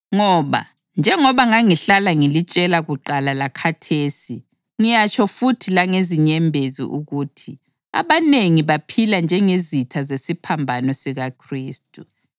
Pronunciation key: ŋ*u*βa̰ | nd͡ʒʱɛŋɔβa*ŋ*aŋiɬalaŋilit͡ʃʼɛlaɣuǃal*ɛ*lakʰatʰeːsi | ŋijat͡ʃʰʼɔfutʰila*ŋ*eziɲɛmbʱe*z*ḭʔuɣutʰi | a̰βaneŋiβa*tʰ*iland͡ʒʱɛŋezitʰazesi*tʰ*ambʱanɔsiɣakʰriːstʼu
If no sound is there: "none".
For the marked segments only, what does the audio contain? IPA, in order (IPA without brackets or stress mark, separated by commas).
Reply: ɔ, ŋ, a, ŋ, z, pʰ, pʰ